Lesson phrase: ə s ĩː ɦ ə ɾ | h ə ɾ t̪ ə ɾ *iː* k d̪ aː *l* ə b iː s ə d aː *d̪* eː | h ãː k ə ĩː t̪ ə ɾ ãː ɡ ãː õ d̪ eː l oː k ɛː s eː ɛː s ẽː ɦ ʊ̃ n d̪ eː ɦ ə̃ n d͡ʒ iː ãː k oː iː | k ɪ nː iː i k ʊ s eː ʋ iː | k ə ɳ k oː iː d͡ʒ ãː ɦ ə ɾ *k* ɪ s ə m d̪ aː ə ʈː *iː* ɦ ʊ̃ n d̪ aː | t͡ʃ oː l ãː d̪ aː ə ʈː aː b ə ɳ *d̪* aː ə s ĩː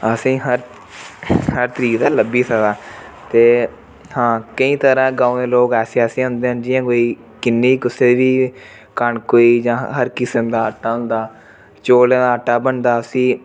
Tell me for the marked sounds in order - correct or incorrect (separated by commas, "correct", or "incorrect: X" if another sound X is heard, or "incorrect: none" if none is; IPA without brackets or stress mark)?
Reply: correct, correct, incorrect: t̪, correct, incorrect: aː, correct